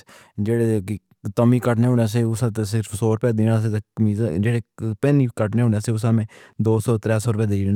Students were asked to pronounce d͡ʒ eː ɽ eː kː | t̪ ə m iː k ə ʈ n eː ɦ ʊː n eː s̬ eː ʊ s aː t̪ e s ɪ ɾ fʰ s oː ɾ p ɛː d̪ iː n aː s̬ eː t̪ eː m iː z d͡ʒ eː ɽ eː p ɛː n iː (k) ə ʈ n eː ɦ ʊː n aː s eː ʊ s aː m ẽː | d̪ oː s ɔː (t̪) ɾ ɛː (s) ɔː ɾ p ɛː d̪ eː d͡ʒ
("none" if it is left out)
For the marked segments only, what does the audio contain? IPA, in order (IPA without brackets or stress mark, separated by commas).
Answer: k, t̪, s